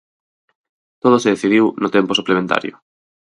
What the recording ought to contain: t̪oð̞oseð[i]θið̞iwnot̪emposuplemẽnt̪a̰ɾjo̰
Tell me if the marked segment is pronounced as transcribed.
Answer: no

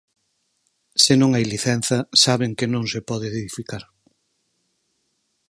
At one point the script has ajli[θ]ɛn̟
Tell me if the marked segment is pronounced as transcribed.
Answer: yes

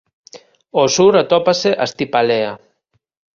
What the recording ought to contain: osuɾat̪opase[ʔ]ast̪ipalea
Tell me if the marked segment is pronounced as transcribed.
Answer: yes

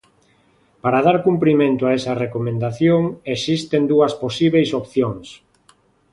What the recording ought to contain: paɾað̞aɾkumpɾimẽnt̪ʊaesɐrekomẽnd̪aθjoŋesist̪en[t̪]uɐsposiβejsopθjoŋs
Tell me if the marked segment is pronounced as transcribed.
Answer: no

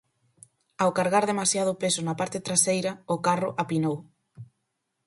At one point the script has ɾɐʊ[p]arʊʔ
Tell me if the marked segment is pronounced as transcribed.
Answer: no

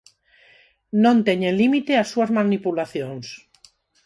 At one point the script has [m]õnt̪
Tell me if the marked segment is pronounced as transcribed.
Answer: no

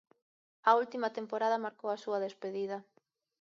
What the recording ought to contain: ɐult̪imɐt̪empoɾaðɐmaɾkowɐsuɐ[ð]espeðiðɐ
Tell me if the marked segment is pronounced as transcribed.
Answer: yes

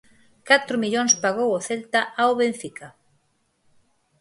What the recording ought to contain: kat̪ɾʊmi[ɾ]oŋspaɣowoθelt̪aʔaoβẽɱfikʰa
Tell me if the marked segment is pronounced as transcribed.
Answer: no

